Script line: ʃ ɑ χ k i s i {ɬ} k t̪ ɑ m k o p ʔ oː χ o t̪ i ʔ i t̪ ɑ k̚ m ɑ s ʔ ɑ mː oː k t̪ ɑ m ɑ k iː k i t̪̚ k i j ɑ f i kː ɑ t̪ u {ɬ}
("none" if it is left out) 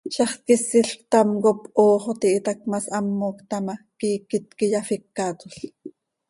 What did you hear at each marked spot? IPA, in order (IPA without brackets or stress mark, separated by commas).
ɬ, ɬ